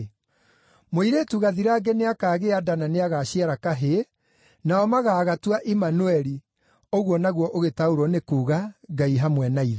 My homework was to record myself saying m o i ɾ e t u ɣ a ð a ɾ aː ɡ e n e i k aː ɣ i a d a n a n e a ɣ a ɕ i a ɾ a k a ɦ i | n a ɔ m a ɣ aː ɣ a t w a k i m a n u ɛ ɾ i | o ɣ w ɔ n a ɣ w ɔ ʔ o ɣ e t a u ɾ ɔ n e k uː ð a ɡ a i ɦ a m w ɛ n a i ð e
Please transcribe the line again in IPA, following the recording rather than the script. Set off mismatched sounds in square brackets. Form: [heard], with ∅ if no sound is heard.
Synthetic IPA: m o i ɾ e t u ɣ a ð [i] ɾ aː ɡ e n e [a] k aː ɣ [e] a d a n a n e a ɣ a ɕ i a ɾ a k a ɦ [e] | n a ɔ m a ɣ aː ɣ a t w a [ʔ] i m a n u ɛ ɾ i | o ɣ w ɔ n a ɣ w ɔ ʔ o ɣ e t a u ɾ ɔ n e k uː [ɣ] a ɡ a i ɦ a m w ɛ n a i ð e